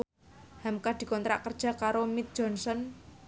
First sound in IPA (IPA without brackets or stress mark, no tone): h